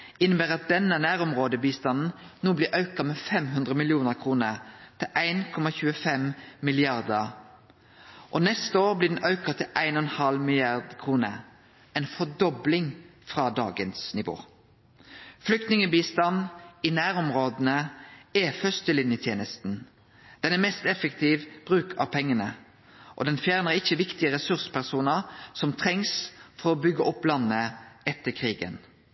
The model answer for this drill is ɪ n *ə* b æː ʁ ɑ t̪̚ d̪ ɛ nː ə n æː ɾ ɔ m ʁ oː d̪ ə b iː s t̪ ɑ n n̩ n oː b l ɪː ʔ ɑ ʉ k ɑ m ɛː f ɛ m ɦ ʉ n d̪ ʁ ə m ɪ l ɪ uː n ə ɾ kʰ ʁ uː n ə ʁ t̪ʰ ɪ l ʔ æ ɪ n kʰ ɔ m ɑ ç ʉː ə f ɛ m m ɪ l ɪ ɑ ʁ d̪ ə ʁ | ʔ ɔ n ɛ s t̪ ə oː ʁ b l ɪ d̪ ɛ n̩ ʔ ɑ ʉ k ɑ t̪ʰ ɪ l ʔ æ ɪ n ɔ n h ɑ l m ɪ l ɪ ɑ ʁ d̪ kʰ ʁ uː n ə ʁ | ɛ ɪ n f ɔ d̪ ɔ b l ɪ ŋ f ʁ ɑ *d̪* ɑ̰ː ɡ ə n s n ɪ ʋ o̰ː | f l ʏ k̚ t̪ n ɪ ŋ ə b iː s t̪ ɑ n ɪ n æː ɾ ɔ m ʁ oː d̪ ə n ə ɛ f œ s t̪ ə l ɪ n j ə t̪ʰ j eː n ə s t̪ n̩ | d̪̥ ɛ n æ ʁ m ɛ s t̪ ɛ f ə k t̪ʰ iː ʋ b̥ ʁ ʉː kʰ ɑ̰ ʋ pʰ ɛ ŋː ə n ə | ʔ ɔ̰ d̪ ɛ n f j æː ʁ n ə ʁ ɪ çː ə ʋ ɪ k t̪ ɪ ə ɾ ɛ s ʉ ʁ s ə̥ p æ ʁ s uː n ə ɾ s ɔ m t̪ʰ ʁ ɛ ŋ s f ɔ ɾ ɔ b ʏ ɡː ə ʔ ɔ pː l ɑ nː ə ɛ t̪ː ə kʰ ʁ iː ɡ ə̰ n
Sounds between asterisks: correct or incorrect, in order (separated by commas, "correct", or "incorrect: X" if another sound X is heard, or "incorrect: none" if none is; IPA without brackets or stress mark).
correct, correct